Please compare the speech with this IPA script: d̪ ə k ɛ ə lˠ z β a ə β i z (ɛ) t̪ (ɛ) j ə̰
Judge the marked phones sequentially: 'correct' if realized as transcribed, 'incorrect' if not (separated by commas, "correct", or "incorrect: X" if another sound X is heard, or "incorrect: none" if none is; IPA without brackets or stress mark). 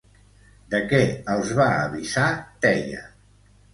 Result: incorrect: a, correct